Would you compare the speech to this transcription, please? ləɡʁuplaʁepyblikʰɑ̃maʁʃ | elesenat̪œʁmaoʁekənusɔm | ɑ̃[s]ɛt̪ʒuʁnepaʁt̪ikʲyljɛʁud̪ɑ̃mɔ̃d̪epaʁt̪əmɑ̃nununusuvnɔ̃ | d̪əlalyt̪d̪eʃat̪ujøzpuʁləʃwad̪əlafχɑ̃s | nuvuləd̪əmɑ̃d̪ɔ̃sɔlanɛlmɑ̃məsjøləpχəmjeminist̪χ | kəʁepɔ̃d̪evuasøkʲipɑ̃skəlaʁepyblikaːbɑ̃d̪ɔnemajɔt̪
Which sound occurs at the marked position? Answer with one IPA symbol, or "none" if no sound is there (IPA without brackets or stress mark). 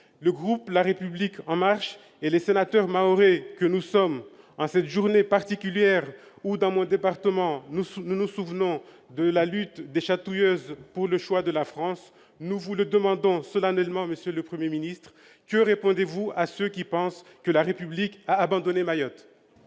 s